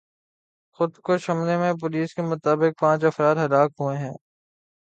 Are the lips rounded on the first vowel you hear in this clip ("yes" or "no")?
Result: yes